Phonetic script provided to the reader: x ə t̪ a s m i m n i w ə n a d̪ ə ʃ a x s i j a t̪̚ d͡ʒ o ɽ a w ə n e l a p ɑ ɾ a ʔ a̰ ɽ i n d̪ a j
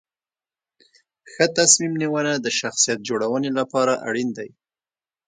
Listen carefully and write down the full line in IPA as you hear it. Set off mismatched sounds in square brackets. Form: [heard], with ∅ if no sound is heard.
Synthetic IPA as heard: x ə t̪ a s m i m n i w ə n a d̪ ə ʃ a x s i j a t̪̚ d͡ʒ o ɽ a w ə n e l a p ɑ ɾ a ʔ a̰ ɽ i n d̪ a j